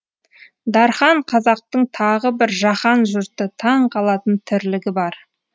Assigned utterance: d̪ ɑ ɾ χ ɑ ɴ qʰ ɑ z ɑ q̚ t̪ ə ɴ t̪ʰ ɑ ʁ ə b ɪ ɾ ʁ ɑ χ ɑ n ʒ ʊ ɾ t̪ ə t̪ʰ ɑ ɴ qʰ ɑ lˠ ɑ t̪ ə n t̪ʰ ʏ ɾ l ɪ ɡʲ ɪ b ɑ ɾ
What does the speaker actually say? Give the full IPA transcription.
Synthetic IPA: d̪ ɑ ɾ χ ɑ ɴ qʰ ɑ z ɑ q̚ t̪ ə ɴ t̪ʰ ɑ ʁ ə b ɪ ɾ ʒ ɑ χ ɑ n ʒ ʊ ɾ t̪ ə t̪ʰ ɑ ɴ qʰ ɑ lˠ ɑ t̪ ə n t̪ʰ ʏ ɾ l ɪ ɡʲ ɪ b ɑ ɾ